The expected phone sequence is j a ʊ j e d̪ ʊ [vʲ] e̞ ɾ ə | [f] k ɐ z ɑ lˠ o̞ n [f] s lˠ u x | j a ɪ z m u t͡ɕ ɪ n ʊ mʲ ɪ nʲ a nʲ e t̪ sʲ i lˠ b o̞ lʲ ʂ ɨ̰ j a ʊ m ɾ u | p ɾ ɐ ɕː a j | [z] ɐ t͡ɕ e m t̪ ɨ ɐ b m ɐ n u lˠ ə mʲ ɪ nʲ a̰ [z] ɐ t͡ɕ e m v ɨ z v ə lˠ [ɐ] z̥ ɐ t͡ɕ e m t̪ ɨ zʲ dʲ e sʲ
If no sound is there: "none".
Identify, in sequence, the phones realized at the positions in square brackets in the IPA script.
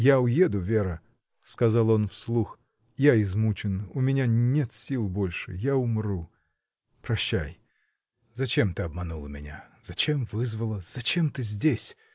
vʲ, s, f, z, z, ə

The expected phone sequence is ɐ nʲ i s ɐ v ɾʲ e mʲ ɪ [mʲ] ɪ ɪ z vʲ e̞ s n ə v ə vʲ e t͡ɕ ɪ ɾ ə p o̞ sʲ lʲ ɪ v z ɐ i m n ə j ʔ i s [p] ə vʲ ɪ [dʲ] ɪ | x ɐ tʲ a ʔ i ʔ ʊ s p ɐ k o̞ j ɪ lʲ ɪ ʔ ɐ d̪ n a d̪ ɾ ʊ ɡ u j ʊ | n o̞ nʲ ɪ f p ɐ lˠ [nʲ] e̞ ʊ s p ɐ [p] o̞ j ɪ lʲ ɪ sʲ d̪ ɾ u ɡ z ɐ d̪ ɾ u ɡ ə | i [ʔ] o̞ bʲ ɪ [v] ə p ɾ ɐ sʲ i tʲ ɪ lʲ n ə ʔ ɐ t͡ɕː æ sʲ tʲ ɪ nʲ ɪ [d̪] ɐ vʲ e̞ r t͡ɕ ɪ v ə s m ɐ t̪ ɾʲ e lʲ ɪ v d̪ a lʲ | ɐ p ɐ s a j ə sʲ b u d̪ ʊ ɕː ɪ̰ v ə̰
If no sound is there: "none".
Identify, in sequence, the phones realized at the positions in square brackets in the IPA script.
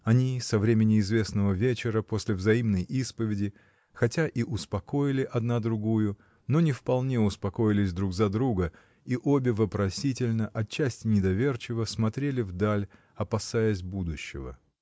nʲ, p, dʲ, nʲ, k, ʔ, v, d̪

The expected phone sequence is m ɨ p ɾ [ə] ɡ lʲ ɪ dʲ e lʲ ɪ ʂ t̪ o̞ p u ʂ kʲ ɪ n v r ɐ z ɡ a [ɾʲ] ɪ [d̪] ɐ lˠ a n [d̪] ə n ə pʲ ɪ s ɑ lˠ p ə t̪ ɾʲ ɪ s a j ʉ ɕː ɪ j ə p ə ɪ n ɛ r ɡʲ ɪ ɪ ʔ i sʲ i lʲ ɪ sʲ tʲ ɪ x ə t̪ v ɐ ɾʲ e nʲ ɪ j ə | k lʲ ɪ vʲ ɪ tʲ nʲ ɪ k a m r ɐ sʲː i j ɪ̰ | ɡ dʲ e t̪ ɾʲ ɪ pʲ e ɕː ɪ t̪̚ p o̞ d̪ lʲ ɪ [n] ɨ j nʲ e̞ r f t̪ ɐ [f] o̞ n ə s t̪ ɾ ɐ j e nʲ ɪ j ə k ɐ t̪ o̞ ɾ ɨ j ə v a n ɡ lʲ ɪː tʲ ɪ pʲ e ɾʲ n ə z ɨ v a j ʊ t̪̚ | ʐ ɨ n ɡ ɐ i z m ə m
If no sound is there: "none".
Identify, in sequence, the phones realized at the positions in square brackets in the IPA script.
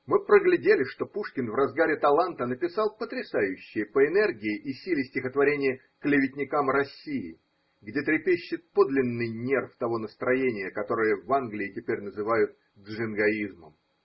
ə, ɾʲ, t̪, t̪, nː, v

